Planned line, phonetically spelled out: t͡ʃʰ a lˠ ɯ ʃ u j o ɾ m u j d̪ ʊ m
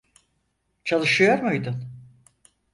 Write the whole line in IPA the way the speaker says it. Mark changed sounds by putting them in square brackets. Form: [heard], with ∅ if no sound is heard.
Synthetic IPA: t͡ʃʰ a lˠ ɯ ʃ [ɯ] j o ɾ m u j d̪ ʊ [n]